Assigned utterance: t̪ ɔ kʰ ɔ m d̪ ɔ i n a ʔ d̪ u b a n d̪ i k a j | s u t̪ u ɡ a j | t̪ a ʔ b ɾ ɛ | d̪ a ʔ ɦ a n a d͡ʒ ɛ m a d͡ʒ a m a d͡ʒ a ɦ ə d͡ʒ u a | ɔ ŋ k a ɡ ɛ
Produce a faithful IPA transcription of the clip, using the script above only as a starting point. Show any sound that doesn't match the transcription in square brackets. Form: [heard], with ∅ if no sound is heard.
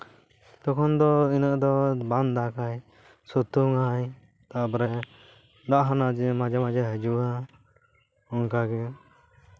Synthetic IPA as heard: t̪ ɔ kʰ ɔ [n] d̪ ɔ i n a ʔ d̪ [ɔ] b a n d̪ [a] k a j | s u t̪ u [ŋ] a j | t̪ a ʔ b ɾ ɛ | d̪ a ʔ ɦ a n a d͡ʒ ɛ m a d͡ʒ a m a d͡ʒ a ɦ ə d͡ʒ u a | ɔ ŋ k a ɡ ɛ